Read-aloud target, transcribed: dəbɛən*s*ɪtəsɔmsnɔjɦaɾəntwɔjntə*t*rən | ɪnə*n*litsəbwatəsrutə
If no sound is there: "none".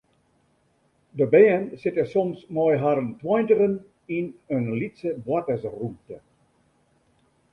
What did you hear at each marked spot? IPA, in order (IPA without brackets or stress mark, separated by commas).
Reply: s, none, n